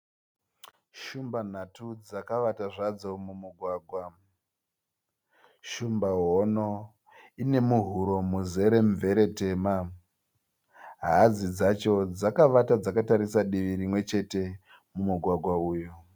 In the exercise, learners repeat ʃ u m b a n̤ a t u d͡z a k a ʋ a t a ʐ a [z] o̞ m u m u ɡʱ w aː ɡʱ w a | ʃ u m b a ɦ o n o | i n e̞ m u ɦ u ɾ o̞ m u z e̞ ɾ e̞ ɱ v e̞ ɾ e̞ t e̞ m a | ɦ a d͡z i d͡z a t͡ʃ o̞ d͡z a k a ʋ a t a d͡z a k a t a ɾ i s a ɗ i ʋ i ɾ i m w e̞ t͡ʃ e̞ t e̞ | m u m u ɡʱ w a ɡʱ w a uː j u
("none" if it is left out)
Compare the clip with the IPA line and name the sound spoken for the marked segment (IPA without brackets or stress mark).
d͡z